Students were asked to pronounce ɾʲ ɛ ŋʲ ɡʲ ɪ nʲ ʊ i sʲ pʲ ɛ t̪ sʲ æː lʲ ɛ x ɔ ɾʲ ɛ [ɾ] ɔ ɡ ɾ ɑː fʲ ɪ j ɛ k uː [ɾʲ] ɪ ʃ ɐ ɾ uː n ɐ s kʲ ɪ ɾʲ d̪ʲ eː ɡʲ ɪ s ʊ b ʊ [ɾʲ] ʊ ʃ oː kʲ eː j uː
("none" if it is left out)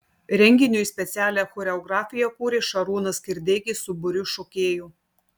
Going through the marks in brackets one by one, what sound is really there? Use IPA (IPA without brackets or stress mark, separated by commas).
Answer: none, ɾʲ, ɾʲ